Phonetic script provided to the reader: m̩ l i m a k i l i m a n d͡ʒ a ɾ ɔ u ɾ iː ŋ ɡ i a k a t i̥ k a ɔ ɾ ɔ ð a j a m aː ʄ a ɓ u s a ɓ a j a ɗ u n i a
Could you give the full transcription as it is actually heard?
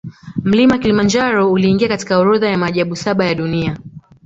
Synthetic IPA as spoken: m̩ l i m a k i l i m a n d͡ʒ a ɾ ɔ u l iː ŋ ɡ i a k a t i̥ k a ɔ ɾ ɔ ð a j a m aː ʄ a ɓ u s a ɓ a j a ɗ u n i a